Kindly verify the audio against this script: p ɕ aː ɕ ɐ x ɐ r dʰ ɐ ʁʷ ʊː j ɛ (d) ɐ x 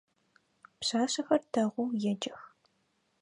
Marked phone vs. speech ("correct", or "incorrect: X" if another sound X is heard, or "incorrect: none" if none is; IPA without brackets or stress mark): incorrect: d͡ʒ